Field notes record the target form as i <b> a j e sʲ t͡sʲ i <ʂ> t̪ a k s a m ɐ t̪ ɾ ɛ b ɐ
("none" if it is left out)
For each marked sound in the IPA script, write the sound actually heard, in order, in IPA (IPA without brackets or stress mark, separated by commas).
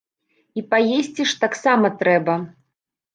p, ʂ